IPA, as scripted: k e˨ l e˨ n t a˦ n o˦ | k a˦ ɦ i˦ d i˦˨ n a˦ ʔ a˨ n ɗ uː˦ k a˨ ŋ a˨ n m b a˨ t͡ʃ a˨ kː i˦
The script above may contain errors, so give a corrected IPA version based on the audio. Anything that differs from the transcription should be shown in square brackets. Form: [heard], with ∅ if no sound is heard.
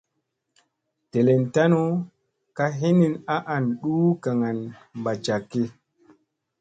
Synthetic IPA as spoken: [t] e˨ l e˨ n t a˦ n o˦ | k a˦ ɦ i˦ [n] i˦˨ n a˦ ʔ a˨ n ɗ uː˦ k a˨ ŋ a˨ n m b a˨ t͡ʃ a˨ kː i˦